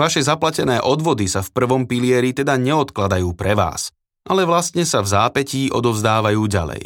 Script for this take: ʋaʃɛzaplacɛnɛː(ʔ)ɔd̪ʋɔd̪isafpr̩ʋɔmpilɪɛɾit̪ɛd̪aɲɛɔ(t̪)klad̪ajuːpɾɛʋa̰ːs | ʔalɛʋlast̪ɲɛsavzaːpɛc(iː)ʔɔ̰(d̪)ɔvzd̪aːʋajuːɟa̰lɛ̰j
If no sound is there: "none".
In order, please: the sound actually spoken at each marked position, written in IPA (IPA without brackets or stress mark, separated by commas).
ʔ, t̪, iː, d̪